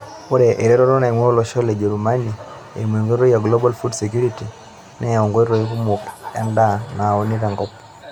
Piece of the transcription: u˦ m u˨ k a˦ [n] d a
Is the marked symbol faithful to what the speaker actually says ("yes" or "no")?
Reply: yes